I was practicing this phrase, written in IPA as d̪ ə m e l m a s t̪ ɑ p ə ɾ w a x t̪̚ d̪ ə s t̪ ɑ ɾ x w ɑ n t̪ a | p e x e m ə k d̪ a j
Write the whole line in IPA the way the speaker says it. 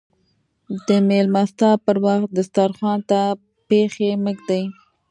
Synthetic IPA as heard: d̪ ə m e l m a s t̪ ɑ p ə ɾ w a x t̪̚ d̪ ə s t̪ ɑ ɾ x w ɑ n t̪ a | p e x e m ə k d̪ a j